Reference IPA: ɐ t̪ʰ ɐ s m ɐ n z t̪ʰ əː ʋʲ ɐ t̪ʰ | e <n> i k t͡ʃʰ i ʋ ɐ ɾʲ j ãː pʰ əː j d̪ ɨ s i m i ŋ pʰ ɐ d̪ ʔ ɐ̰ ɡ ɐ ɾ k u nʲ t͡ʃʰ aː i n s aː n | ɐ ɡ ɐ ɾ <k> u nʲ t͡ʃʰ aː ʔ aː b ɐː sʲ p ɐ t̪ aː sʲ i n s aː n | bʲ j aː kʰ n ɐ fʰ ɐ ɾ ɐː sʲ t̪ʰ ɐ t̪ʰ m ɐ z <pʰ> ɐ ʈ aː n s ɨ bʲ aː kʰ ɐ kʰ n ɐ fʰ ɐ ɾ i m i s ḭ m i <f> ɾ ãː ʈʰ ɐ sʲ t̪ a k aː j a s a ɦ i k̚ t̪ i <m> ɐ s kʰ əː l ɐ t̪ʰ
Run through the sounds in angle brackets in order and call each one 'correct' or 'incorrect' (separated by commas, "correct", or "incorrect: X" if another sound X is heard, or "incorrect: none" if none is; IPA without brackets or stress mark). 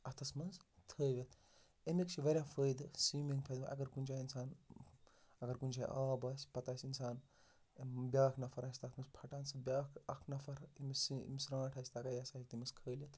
incorrect: m, correct, correct, incorrect: s, correct